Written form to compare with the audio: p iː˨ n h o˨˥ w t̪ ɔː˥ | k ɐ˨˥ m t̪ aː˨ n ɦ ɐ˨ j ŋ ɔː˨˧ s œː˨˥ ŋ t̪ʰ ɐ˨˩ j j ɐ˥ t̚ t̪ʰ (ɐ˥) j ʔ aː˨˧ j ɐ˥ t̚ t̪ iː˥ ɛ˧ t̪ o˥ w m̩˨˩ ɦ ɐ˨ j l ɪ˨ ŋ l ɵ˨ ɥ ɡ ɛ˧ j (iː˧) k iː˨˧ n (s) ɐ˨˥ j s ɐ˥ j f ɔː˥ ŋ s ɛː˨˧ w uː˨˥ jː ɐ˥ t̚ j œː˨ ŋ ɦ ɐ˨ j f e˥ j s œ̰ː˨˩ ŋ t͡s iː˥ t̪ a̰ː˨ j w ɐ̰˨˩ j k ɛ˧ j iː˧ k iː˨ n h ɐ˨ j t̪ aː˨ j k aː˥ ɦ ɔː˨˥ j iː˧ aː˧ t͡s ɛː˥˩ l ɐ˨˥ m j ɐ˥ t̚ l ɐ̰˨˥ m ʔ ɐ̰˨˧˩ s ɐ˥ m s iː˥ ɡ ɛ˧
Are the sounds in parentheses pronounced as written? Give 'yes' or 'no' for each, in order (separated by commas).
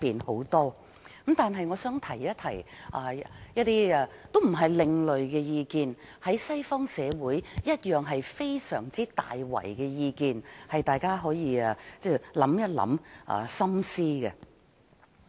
no, yes, no